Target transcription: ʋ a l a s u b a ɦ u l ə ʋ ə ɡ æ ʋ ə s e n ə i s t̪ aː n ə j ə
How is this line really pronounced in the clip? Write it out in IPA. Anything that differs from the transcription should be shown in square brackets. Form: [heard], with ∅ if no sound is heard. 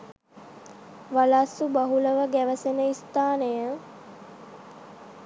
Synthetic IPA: ʋ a l a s u b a ɦ u l ə ʋ ə ɡ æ ʋ ə s e n ə i s t̪ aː n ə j ə